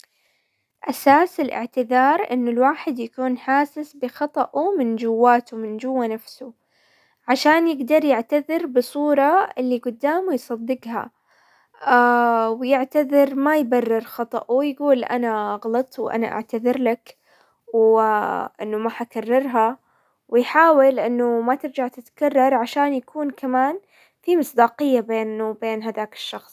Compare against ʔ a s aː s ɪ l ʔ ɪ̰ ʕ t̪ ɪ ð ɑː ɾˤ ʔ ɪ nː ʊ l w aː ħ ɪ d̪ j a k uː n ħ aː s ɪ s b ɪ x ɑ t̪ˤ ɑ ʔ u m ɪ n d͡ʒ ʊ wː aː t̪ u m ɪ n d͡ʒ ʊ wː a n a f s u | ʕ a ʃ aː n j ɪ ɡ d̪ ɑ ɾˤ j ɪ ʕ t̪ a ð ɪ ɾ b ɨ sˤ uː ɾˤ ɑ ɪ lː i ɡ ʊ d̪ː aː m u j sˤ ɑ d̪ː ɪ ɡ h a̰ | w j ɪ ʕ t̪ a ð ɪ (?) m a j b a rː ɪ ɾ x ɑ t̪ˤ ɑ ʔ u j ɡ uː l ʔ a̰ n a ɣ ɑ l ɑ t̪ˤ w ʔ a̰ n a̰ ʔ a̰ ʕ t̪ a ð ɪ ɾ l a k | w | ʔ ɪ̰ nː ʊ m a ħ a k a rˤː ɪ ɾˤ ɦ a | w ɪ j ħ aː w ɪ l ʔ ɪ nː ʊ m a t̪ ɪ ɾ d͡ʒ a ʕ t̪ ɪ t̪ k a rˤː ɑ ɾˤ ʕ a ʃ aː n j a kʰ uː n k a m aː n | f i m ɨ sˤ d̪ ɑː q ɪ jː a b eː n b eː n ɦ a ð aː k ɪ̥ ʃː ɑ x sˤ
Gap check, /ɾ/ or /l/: ɾ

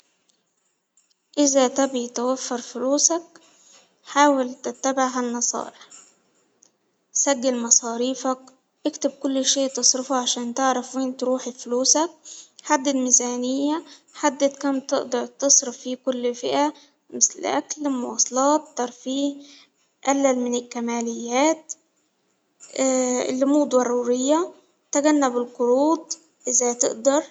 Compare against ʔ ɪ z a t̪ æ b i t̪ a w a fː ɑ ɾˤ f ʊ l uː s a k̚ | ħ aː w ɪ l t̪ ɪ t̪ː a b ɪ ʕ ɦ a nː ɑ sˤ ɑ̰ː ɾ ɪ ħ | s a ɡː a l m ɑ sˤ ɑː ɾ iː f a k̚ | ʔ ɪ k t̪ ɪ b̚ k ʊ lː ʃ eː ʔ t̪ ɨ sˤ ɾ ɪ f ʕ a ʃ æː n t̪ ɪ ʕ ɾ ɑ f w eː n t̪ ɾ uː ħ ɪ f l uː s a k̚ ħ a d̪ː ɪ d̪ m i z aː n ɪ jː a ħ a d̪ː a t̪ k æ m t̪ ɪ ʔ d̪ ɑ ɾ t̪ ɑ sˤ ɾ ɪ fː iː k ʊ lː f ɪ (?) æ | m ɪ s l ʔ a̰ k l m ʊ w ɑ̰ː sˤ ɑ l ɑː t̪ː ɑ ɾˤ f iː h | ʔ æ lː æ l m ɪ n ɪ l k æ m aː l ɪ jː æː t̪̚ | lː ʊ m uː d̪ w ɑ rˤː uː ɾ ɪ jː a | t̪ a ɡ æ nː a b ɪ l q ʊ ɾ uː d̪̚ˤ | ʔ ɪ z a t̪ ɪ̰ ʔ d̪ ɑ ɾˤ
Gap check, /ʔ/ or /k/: ʔ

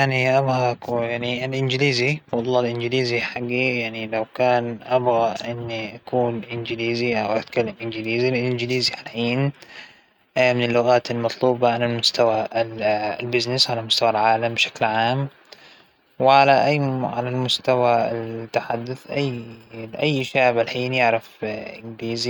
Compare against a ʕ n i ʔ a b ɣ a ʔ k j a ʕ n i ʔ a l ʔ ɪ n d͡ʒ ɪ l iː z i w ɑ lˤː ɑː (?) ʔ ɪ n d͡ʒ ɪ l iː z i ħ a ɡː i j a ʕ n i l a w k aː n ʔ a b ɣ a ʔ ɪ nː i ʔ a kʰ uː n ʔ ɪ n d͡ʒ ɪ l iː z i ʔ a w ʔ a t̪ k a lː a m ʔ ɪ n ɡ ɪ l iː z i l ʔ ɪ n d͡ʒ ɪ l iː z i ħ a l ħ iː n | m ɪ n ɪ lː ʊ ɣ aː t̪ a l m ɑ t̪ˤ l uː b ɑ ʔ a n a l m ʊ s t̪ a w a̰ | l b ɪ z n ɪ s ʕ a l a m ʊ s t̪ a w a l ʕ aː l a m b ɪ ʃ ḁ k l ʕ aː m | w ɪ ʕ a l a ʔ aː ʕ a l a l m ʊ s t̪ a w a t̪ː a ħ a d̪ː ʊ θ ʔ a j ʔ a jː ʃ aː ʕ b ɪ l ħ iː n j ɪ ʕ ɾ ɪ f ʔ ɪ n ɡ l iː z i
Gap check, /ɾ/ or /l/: l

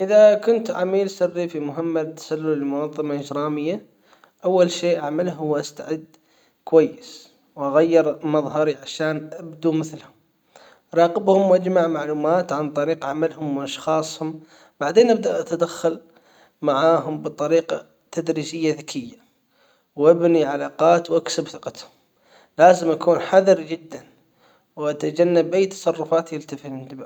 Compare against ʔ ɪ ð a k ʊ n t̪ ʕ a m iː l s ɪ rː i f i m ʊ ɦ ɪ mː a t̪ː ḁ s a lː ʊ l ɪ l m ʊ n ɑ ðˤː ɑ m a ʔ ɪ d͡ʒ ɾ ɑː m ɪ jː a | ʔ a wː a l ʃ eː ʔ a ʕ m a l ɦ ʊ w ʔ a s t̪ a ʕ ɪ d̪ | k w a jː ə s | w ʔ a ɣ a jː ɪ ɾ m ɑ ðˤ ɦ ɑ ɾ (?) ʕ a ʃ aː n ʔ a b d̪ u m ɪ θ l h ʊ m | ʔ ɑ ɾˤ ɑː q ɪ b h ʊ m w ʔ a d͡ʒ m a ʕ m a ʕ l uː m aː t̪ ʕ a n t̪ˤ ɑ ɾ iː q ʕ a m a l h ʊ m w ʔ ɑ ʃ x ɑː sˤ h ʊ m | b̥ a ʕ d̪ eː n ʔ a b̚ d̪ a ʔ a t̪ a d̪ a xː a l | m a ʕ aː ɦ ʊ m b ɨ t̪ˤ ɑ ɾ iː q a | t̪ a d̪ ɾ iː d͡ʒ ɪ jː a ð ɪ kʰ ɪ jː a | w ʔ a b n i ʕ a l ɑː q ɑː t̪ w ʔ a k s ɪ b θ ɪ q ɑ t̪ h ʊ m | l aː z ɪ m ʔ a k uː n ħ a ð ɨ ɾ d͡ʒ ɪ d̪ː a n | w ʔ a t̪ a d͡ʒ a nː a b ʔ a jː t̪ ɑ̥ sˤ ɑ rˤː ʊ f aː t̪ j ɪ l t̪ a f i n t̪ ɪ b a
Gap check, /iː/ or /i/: i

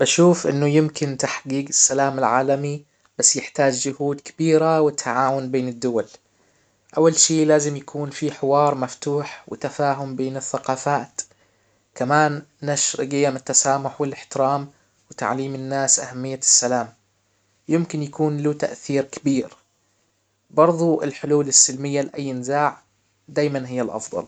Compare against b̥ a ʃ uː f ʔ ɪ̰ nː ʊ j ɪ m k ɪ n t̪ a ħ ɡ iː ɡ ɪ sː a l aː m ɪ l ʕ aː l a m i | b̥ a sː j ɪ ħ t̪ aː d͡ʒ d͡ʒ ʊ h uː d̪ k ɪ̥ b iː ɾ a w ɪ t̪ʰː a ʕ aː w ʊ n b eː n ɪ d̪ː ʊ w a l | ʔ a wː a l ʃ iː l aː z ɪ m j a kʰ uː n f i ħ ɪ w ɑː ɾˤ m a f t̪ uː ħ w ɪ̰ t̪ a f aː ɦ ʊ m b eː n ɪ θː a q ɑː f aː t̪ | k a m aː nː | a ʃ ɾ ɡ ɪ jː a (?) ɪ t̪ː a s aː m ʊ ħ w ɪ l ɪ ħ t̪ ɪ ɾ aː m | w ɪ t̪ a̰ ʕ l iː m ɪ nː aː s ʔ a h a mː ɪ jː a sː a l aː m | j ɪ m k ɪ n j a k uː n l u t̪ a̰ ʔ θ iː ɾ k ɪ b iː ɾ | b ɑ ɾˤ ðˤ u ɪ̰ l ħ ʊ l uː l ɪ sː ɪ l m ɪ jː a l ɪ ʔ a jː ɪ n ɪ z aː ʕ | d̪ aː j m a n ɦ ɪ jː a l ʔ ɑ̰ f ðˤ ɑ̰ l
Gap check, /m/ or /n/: m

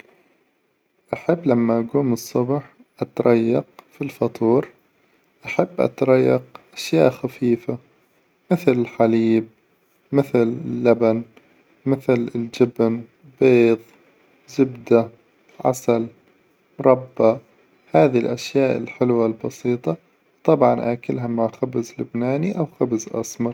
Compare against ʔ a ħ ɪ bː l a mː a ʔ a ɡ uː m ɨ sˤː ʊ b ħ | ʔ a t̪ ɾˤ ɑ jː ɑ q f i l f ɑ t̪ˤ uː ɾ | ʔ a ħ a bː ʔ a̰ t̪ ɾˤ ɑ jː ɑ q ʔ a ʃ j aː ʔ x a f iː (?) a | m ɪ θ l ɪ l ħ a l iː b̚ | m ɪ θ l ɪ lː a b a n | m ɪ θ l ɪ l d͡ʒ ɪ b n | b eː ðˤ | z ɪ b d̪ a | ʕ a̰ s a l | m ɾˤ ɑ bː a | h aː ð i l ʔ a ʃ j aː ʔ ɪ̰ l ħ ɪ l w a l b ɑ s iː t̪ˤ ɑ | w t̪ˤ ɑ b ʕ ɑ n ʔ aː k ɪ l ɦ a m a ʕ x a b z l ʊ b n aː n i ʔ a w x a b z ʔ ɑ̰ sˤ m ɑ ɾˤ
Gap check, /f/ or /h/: f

